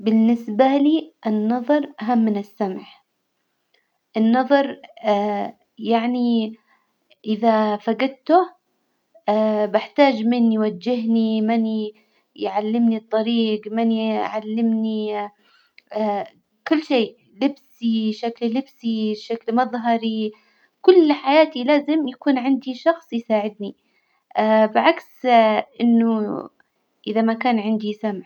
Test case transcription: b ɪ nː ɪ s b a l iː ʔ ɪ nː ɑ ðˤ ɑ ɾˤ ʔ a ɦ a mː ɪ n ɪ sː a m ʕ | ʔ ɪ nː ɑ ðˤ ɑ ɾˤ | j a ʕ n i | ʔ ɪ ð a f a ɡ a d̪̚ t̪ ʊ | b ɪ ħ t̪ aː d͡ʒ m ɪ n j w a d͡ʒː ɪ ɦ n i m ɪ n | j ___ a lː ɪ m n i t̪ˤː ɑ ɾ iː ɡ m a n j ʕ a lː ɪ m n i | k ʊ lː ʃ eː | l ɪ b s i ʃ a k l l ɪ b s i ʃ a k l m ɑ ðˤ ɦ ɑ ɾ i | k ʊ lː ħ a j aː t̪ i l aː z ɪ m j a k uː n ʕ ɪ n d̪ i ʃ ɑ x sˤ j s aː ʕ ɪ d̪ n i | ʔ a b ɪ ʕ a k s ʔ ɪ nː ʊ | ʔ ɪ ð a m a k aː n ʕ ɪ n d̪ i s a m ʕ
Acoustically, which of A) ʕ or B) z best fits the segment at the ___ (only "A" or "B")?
A